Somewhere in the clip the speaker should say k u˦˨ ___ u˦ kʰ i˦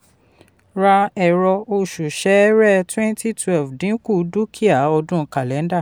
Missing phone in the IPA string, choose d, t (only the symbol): d